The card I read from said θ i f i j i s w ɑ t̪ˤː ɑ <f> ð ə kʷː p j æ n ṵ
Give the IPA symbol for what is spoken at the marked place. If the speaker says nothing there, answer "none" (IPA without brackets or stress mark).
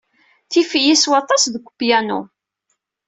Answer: s